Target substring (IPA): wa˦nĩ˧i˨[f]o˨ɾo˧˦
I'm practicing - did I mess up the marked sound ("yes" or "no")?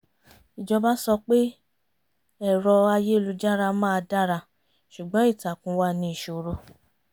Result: yes